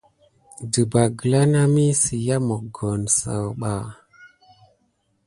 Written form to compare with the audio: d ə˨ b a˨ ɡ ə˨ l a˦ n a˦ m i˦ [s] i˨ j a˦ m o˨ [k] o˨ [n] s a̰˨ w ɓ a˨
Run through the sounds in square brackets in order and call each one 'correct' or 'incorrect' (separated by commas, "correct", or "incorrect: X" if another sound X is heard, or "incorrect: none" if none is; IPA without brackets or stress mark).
correct, incorrect: ɡ, correct